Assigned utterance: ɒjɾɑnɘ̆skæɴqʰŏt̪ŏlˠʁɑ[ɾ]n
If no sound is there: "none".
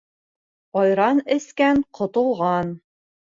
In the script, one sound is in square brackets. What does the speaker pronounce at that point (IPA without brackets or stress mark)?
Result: none